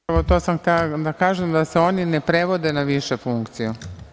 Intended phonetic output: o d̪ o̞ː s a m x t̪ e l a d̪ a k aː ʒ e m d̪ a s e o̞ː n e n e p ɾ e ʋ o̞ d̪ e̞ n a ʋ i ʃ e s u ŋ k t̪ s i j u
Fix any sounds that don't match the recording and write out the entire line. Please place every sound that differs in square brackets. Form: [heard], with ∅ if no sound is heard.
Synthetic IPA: o [t̪] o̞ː s a m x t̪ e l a d̪ a k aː ʒ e m d̪ a s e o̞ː n [i] n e p ɾ e ʋ o̞ d̪ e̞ n a ʋ i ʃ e [f] u ŋ k t̪ s i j u